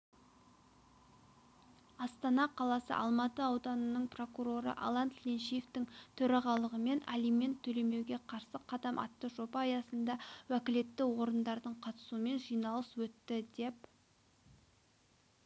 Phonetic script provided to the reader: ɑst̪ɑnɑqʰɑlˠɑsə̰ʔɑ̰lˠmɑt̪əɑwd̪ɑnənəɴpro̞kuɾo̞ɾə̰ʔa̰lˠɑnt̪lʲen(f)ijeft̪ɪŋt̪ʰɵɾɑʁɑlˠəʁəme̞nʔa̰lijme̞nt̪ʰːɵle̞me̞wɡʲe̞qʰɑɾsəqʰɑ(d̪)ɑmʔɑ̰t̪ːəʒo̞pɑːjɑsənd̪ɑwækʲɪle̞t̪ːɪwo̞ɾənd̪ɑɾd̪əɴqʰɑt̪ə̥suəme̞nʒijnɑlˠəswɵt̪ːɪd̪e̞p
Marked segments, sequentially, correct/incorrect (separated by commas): incorrect, correct